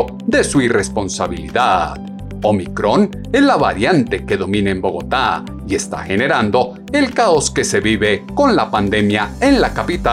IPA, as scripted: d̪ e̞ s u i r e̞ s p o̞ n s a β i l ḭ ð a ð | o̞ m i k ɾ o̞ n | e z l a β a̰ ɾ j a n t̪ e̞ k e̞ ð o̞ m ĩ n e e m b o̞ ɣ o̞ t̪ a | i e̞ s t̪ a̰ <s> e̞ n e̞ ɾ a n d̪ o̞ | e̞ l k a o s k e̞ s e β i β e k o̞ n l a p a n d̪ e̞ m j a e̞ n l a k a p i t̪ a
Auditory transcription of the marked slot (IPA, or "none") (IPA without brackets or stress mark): x